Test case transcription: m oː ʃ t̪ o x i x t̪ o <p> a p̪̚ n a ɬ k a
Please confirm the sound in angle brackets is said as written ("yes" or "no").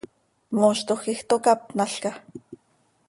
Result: no